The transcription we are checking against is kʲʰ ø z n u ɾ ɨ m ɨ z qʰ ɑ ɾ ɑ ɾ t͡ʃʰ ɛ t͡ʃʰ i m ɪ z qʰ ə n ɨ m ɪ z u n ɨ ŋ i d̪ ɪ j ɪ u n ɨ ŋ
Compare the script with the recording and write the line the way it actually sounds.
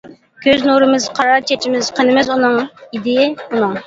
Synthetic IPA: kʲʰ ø z n u ɾ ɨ m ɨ z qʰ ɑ ɾ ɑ ɾ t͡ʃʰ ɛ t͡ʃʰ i m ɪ z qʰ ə n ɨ m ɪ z u n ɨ ŋ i d̪ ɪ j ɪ u n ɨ ŋ